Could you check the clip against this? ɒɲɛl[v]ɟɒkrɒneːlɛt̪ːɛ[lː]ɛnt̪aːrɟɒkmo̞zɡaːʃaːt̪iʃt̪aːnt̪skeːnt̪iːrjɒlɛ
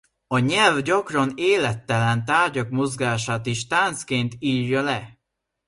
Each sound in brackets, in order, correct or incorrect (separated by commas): correct, incorrect